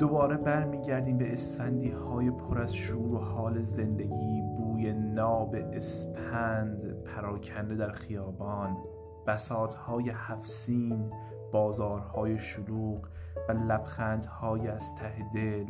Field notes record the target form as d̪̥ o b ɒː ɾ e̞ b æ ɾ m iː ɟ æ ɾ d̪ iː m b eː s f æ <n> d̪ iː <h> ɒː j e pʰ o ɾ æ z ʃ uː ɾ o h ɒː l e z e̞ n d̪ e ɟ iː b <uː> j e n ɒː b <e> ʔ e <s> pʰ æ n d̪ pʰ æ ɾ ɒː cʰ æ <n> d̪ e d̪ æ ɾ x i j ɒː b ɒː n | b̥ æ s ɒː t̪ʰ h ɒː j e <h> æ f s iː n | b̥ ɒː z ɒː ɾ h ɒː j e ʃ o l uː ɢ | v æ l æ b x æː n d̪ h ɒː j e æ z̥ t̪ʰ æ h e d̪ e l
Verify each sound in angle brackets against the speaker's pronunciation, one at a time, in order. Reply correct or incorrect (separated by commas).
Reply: correct, correct, correct, correct, correct, correct, correct